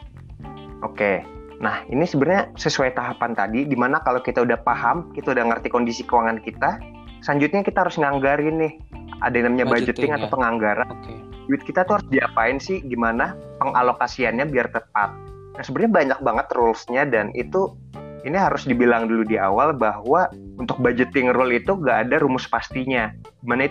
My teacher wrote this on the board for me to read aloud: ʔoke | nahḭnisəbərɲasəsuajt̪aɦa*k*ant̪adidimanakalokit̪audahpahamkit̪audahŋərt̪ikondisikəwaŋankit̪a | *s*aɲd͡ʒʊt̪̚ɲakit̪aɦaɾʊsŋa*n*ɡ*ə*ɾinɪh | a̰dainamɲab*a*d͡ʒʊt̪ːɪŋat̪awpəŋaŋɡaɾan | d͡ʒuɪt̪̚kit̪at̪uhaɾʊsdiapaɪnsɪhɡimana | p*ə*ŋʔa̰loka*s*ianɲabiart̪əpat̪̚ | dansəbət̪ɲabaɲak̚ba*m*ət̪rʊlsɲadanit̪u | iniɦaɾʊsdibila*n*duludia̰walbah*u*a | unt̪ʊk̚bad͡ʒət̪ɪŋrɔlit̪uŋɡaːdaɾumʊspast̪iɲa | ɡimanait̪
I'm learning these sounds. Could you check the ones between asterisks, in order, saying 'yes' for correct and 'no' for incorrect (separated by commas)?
no, yes, no, no, yes, yes, yes, no, no, no